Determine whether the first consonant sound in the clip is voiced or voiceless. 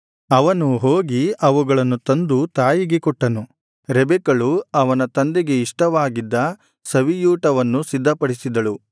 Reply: voiced